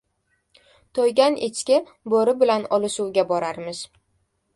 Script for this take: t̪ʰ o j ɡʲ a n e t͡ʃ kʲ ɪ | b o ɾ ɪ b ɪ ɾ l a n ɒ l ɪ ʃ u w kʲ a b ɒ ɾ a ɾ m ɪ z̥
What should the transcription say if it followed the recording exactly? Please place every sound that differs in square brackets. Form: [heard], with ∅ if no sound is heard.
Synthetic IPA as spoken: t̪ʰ o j ɡʲ a n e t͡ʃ kʲ ɪ | b o ɾ ɪ b ɪ [∅] l a n ɒ l ɪ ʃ u w [ɡʲ] a b ɒ ɾ a ɾ m ɪ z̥